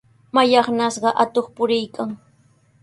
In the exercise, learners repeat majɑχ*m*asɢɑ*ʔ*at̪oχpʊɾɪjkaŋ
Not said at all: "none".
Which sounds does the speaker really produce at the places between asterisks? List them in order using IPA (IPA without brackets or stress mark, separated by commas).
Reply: n, ʔ